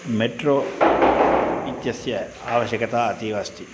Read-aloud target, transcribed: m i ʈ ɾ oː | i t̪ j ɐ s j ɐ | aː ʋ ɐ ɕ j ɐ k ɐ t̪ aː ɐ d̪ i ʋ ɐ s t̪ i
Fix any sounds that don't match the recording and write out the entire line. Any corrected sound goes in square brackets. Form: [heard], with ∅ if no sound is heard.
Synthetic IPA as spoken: m [e] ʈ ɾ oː | i t̪ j ɐ s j ɐ | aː ʋ ɐ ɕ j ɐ k ɐ t̪ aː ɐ [t̪] i ʋ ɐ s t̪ i